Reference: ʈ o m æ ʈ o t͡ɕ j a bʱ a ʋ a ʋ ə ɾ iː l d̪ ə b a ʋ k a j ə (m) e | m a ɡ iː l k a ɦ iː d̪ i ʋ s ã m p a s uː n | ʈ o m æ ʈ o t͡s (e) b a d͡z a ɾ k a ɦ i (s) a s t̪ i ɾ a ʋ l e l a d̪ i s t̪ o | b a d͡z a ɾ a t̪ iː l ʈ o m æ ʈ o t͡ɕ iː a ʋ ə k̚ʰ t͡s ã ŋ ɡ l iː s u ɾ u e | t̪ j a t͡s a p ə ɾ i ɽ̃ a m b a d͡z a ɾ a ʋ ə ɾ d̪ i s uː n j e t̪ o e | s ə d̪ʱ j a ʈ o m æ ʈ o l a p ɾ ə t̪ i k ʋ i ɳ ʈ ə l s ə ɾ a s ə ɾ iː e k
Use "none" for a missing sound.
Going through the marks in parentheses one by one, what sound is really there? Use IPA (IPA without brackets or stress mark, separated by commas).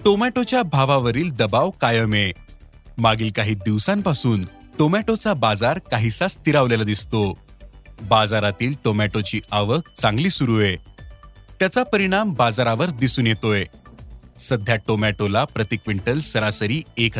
m, a, s